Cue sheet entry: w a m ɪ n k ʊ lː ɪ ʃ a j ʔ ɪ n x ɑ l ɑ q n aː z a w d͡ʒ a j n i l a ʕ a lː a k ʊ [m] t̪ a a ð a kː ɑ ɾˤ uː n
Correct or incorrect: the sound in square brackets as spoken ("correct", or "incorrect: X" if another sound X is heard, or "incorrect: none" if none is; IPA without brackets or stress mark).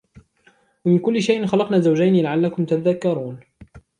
correct